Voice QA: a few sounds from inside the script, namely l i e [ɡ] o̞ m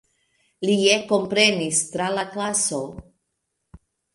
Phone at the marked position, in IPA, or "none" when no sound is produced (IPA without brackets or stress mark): k